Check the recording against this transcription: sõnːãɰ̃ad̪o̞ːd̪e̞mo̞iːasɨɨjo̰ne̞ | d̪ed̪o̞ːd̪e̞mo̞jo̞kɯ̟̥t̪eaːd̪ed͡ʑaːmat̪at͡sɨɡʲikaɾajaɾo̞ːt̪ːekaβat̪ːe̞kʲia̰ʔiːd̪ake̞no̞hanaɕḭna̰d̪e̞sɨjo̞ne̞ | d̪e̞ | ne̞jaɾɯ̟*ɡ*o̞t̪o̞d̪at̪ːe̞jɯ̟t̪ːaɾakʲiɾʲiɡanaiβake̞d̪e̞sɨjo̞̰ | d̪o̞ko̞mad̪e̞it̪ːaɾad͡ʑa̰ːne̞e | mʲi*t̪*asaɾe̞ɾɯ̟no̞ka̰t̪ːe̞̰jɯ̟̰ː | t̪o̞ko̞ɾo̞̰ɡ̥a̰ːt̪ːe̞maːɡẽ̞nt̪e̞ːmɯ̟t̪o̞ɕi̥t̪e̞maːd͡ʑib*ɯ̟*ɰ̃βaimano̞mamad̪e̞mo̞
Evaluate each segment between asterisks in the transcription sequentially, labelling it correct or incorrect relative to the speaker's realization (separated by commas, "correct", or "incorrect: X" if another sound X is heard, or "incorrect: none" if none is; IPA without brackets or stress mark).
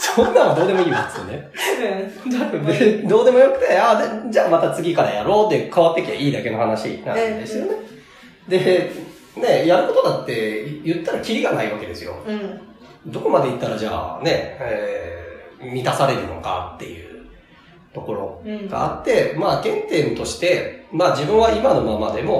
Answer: incorrect: k, correct, incorrect: ɯ̟̃